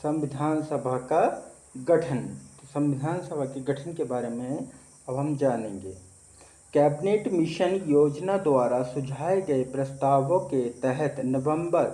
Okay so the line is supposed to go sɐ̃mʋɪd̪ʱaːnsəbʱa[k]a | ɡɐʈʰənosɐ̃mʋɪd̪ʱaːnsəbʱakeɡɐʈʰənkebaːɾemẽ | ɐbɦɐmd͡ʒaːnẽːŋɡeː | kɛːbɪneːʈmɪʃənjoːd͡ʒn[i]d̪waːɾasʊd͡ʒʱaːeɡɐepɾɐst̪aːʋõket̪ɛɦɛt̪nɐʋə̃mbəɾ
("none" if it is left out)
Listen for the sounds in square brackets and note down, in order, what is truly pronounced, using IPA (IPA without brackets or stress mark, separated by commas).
k, a